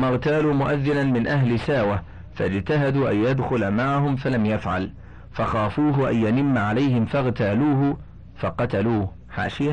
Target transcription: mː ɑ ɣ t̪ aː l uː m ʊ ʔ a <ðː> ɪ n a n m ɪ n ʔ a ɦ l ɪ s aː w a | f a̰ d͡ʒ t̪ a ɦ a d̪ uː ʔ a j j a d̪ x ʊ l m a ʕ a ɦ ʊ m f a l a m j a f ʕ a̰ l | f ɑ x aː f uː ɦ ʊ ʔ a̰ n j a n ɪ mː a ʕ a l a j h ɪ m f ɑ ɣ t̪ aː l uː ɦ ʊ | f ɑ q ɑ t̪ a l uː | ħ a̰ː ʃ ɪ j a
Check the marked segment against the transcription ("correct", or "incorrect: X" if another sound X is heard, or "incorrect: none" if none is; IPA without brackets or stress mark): correct